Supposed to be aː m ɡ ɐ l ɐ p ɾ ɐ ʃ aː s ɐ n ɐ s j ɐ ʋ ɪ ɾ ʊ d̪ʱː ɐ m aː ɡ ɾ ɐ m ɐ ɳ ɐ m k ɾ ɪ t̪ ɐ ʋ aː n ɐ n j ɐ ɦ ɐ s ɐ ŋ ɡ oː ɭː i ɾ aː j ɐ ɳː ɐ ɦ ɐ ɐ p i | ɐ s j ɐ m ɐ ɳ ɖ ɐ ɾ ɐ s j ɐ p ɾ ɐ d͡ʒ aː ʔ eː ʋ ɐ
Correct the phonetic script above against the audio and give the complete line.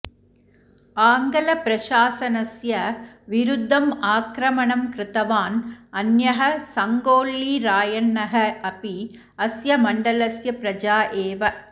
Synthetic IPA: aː ŋ ɡ ɐ l ɐ p ɾ ɐ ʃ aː s ɐ n ɐ s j ɐ ʋ ɪ ɾ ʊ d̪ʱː ɐ m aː k ɾ ɐ m ɐ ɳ ɐ m k ɾ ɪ t̪ ɐ ʋ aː n ɐ n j ɐ ɦ ɐ s ɐ ŋ ɡ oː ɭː i ɾ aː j ɐ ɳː ɐ ɦ ɐ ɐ p i | ɐ s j ɐ m ɐ ɳ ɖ ɐ l ɐ s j ɐ p ɾ ɐ d͡ʒ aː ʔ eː ʋ ɐ

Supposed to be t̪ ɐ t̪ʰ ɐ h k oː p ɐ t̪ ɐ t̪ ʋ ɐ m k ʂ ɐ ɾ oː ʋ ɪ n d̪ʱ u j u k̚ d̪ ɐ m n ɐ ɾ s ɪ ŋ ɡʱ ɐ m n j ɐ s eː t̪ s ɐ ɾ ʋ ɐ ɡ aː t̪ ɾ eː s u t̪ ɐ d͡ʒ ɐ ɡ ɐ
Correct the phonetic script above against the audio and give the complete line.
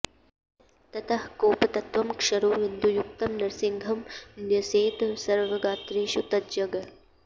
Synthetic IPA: t̪ ɐ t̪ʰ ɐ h k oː p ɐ t̪ ɐ t̪ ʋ ɐ m k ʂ ɐ ɾ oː ʋ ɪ n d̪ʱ u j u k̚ t̪ ɐ m n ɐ ɾ s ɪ ŋ ɡʱ ɐ m n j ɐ s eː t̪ s ɐ ɾ ʋ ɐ ɡ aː t̪ ɾ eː ʃ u t̪ ɐ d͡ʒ ɐ ɡ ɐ

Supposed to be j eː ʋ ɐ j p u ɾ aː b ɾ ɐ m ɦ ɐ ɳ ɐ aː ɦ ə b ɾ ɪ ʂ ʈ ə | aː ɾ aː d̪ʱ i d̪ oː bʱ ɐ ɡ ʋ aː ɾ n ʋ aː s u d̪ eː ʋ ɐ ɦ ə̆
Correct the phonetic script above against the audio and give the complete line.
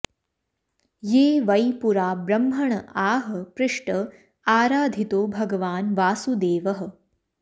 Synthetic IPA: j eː ʋ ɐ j p u ɾ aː b ɾ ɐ m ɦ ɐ ɳ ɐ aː ɦ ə p ɾ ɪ ʂ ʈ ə | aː ɾ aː d̪ʱ i t̪ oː bʱ ɐ ɡ ʋ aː n ʋ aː s u d̪ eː ʋ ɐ ɦ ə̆

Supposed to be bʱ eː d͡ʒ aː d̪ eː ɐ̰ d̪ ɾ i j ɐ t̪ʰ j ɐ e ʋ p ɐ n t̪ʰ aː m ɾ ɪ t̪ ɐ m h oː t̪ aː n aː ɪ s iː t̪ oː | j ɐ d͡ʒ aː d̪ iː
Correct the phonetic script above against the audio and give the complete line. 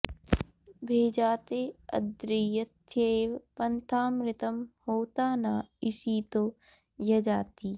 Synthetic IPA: bʱ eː d͡ʒ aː t̪ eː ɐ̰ d̪ ɾ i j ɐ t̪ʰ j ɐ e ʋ p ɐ n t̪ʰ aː m ɾ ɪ t̪ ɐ m h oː t̪ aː n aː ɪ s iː t̪ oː | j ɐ d͡ʒ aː t̪ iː

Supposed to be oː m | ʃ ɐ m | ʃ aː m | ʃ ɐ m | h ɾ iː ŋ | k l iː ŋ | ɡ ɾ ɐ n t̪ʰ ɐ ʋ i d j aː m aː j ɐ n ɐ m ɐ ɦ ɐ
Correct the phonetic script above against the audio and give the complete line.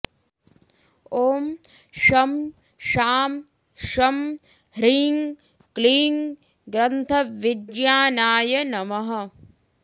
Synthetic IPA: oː m | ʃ ɐ m | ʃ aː m | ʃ ɐ m | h ɾ iː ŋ | k l iː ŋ | ɡ ɾ ɐ n t̪ʰ ɐ ʋ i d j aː n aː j ɐ n ɐ m ɐ ɦ ɐ

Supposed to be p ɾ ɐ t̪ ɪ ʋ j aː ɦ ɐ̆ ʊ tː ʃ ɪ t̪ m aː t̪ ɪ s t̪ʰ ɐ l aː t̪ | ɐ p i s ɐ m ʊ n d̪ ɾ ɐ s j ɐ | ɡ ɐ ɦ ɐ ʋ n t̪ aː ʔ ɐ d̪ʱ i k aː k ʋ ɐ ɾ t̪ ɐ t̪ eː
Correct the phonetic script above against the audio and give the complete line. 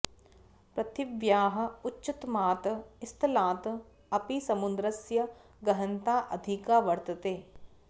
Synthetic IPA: p ɾ ɐ t̪ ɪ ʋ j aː ɦ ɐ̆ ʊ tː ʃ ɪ t̪ m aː t̪ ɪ s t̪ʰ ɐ l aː t̪ | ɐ p i s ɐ m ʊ n d̪ ɾ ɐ s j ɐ | ɡ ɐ ɦ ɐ n t̪ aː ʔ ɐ d̪ʱ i k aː ʋ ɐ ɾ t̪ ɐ t̪ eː

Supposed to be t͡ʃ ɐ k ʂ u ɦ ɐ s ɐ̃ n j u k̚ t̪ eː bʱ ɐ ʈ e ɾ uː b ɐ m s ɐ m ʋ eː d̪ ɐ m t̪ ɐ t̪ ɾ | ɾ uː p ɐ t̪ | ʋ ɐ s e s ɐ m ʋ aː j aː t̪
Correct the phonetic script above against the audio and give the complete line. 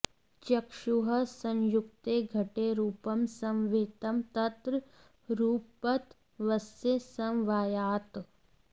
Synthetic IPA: t͡ʃ ɐ k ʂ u ɦ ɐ s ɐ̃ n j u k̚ t̪ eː ɡʱ ɐ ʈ e ɾ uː p ɐ m s ɐ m ʋ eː t̪ ɐ m t̪ ɐ t̪ ɾ | ɾ uː p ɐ t̪ | ʋ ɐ s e s ɐ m ʋ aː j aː t̪

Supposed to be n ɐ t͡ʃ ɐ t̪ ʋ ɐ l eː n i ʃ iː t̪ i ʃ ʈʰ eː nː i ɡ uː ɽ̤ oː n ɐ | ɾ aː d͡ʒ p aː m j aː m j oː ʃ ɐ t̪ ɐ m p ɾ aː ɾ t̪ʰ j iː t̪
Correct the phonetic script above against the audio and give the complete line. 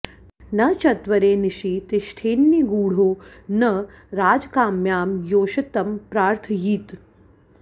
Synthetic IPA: n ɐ t͡ʃ ɐ t̪ ʋ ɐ ɾ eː n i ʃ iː t̪ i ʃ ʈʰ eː nː i ɡ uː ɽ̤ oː n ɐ | ɾ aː d͡ʒ k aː m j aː m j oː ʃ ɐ t̪ ɐ m p ɾ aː ɾ t̪ʰ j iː t̪

